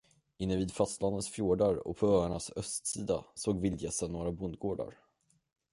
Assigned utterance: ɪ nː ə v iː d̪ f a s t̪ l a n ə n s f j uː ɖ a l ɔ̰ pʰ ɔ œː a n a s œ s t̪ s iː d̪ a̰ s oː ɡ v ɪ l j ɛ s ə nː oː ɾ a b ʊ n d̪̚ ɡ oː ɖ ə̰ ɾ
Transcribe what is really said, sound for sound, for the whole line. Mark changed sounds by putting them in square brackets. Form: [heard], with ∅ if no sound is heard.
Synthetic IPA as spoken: ɪ nː ə v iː d̪ f a s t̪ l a n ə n s f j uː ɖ a [ɾ] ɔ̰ pʰ ɔ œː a [ɳ] a s œ s t̪ s iː d̪ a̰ s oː ɡ v ɪ l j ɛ s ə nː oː ɾ a b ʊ n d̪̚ ɡ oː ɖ [a̰] ɾ